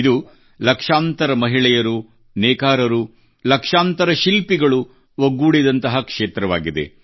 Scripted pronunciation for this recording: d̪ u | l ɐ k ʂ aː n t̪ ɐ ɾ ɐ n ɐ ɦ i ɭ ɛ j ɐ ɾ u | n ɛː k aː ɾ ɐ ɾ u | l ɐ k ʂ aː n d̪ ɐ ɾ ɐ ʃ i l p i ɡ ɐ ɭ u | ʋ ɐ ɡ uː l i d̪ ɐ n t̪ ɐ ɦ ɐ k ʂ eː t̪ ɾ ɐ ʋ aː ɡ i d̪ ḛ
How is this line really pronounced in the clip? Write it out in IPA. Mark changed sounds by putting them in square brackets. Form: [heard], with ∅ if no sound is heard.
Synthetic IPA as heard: d̪ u | l ɐ k ʂ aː n t̪ ɐ ɾ ɐ [m] ɐ ɦ i ɭ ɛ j ɐ ɾ u | n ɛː k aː ɾ ɐ ɾ u | l ɐ k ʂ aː n [t̪] ɐ ɾ ɐ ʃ i l p i ɡ ɐ ɭ u | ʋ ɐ ɡ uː [ɽ] i d̪ ɐ n t̪ ɐ ɦ ɐ k ʂ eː t̪ ɾ ɐ ʋ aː ɡ i d̪ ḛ